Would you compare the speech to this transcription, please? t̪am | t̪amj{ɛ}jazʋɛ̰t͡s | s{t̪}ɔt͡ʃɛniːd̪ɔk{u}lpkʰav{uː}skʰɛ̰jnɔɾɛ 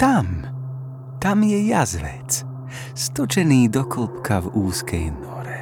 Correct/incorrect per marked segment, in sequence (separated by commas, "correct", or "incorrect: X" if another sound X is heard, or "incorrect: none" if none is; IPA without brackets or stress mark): correct, correct, incorrect: ɔ, correct